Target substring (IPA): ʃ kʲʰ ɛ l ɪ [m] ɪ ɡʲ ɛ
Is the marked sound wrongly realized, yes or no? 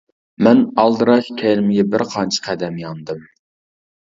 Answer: no